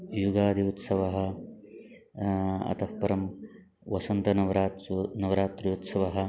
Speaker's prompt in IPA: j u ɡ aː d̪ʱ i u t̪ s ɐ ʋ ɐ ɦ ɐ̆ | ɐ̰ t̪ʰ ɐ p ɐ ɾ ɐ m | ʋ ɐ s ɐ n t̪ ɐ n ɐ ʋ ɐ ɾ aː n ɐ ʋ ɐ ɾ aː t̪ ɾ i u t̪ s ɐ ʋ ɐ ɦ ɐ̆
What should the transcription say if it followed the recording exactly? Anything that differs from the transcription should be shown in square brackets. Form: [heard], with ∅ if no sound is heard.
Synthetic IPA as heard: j u ɡ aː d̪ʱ i u t̪ s ɐ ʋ ɐ ɦ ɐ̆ | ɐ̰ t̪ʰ ɐ p ɐ ɾ ɐ m | ʋ ɐ s ɐ n t̪ ɐ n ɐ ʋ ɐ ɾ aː n ɐ ʋ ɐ ɾ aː t̪ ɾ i u t̪ s ɐ ʋ ɐ ɦ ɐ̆